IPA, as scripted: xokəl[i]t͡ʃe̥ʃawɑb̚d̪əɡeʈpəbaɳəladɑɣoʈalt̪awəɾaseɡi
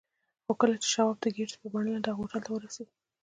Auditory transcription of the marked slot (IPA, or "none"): a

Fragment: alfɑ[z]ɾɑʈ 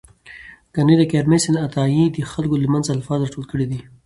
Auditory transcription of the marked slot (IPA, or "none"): z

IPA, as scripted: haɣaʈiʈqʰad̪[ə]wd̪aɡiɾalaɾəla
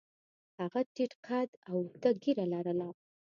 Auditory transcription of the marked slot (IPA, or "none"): a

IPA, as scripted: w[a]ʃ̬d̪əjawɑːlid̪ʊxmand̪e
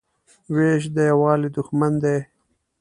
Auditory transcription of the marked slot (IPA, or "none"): e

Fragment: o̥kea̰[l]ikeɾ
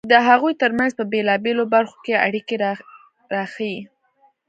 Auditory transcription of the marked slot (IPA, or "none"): ɽ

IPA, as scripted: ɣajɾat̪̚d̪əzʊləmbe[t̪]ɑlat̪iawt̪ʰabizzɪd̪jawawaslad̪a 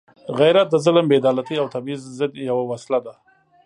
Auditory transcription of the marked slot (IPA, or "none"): d̪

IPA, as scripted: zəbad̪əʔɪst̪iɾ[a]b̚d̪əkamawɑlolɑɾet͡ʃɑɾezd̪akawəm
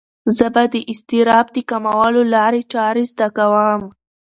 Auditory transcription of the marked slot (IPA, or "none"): ɑ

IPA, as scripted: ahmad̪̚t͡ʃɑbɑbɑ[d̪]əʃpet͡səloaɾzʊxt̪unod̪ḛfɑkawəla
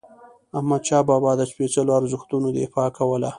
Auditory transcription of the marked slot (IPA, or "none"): d̪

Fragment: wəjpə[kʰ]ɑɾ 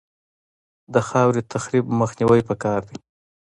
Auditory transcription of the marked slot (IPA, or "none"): k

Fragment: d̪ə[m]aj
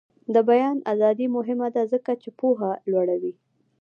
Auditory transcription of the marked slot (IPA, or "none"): b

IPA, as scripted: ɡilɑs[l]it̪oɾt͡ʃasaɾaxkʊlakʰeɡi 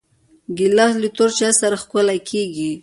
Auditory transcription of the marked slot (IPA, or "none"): l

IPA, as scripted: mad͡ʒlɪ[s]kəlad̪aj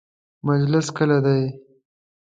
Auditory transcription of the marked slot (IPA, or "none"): s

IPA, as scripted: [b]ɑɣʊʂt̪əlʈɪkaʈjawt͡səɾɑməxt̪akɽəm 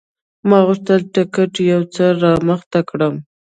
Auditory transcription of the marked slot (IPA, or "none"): m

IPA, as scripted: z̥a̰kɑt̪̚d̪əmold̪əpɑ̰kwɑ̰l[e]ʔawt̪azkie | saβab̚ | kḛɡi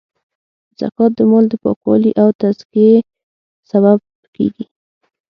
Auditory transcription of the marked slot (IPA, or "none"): i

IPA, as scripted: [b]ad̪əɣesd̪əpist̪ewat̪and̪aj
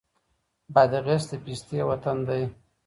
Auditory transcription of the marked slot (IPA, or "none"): b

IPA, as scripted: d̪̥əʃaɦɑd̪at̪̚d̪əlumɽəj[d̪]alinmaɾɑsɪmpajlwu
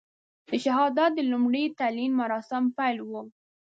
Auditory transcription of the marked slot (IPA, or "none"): t̪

